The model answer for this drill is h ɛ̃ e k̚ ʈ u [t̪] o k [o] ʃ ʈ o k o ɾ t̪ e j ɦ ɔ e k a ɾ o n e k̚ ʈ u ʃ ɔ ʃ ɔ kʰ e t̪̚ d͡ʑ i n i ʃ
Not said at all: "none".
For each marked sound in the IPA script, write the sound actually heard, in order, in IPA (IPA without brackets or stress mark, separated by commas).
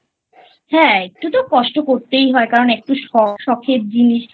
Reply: t̪, ɔ